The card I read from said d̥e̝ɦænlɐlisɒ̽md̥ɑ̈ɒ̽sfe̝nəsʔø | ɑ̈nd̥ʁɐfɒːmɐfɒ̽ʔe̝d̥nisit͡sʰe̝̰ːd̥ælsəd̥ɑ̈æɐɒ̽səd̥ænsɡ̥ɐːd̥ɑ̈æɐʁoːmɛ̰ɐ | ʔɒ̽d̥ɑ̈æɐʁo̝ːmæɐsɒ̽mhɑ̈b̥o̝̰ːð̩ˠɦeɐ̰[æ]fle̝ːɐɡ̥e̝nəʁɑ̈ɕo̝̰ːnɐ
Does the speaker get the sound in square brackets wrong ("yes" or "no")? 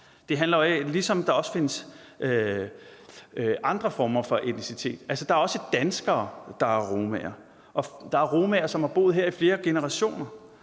yes